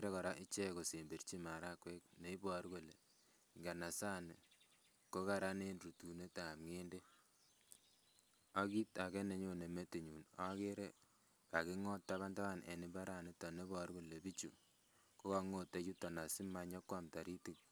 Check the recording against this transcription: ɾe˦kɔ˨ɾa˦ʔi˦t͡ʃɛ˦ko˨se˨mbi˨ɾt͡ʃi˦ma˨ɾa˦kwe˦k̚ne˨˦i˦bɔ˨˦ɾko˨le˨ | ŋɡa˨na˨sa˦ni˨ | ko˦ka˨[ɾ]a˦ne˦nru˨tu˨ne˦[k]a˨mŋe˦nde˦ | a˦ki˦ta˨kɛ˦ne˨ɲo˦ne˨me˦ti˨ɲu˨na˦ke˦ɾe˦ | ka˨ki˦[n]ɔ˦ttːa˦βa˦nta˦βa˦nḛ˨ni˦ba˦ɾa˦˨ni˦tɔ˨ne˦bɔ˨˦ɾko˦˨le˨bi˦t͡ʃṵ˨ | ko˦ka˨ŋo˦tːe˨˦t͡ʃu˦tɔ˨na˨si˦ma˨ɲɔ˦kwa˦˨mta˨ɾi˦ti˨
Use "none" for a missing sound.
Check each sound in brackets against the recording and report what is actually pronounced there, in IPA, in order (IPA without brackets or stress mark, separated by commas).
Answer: ɾ, t, ŋ